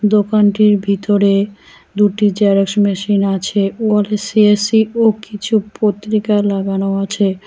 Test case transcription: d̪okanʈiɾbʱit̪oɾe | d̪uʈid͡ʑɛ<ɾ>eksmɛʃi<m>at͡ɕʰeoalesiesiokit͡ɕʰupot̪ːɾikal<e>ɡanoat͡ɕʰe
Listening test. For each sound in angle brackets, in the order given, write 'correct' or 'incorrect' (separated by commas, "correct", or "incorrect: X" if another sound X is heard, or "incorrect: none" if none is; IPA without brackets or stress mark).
correct, incorrect: n, incorrect: a